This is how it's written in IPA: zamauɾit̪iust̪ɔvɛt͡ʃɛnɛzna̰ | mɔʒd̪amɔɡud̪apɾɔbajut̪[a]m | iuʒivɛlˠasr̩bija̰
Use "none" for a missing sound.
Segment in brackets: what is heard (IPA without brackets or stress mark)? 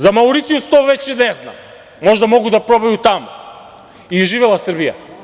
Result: a